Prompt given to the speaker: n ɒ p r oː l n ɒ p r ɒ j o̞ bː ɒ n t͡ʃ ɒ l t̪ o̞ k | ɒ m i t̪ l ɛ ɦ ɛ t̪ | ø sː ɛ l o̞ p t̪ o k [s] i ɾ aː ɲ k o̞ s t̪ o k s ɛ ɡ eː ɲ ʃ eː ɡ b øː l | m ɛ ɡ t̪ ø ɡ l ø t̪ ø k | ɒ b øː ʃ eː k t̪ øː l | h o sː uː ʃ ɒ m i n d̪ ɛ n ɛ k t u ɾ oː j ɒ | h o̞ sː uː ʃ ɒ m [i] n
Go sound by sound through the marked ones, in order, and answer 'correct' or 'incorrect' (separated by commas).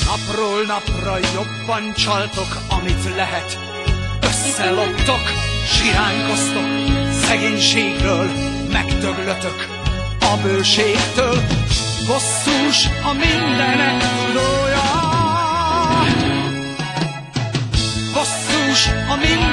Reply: incorrect, correct